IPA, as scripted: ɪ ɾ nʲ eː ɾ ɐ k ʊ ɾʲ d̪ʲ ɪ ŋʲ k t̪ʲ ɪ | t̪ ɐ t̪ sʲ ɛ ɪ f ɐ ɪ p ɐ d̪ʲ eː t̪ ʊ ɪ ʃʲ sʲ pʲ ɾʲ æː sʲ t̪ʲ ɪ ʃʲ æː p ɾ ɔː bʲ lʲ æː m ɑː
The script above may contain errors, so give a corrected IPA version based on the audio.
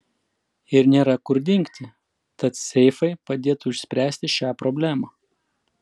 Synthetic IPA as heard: ɪ ɾ nʲ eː ɾ ɐ k ʊ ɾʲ d̪ʲ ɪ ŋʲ k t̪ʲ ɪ | t̪ ɐ t̪ sʲ ɛ ɪ f ɐ ɪ p ɐ d̪ʲ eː t̪ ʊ ɪ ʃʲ sʲ pʲ ɾʲ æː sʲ t̪ʲ ɪ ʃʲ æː p ɾ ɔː bʲ lʲ æː m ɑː